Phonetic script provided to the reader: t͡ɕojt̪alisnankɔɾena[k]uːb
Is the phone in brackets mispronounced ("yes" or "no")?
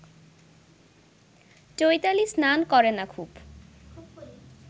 yes